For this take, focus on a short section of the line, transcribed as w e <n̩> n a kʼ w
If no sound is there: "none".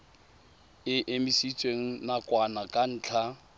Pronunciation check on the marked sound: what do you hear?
ŋ̩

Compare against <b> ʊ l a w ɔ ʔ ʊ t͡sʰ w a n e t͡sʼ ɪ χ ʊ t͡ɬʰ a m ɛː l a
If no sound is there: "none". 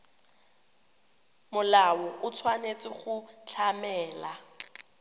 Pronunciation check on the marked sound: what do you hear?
m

